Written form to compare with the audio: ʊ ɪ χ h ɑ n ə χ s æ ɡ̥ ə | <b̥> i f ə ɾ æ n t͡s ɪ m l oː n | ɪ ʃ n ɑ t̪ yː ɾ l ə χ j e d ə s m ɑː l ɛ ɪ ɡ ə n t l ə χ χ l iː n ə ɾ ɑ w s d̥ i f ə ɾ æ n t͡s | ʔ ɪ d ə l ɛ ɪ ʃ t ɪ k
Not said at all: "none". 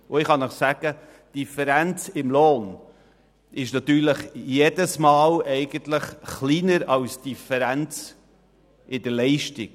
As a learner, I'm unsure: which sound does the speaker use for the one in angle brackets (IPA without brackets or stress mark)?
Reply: d̥